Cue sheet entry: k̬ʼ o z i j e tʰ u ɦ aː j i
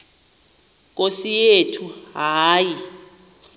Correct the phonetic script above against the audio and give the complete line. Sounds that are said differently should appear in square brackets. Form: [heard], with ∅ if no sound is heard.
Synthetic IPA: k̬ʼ o [s] i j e tʰ u ɦ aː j i